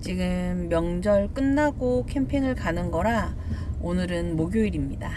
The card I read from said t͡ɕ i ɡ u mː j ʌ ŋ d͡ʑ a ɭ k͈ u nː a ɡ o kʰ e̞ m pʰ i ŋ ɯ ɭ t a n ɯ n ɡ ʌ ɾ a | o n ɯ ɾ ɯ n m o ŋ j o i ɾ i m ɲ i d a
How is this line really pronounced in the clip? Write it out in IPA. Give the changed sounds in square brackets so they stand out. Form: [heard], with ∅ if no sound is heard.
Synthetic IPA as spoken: t͡ɕ i ɡ [ɯ] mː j ʌ ŋ d͡ʑ [ʌ] ɭ k͈ [ɯ] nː a ɡ o kʰ e̞ m pʰ i ŋ ɯ ɭ [k] a n ɯ n ɡ ʌ ɾ a | o n ɯ ɾ ɯ n m o [ɡ] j o i ɾ i m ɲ i d a